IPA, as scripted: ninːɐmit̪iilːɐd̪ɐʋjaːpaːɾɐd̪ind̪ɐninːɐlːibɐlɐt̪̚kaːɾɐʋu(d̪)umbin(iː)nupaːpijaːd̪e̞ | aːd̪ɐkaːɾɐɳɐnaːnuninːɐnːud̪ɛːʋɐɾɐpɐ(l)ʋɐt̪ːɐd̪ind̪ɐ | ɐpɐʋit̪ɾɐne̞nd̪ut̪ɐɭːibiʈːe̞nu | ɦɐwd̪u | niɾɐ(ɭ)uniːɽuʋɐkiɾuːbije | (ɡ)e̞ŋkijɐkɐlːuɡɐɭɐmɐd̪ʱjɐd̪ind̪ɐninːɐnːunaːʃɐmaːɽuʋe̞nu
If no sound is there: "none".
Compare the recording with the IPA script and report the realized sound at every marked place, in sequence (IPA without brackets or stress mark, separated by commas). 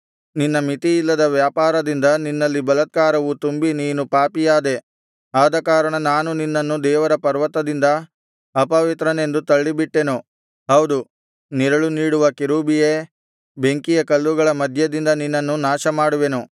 t̪, iː, ɾ, ɭ, b